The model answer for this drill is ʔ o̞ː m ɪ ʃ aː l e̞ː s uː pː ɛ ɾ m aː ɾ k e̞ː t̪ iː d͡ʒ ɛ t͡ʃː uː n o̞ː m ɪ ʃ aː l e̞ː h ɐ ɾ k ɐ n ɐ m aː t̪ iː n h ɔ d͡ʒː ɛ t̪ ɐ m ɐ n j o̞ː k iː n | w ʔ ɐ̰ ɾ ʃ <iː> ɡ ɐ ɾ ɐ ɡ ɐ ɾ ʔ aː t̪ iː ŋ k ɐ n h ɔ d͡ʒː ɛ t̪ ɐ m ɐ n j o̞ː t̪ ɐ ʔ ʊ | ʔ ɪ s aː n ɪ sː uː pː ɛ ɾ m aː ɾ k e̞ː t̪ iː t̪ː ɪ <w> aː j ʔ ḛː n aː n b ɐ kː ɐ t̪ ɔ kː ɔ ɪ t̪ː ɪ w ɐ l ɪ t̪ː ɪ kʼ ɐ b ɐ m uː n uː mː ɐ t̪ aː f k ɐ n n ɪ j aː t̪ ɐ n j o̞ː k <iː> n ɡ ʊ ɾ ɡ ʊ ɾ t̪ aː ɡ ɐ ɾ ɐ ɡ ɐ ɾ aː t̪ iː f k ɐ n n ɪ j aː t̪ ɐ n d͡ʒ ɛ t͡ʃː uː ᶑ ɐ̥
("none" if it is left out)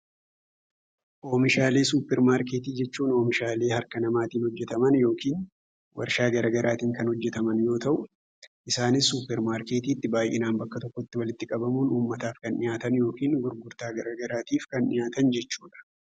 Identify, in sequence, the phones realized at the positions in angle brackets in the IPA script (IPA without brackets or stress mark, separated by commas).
aː, b, iː